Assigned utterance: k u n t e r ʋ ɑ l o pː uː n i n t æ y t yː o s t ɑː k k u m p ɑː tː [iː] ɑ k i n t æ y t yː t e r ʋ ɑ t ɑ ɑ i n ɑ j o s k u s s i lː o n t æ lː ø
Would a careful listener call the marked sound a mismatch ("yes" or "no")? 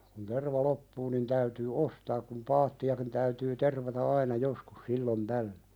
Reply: yes